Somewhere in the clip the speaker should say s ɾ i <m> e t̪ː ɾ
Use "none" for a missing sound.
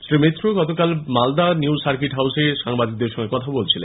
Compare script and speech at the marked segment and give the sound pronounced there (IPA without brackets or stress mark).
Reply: m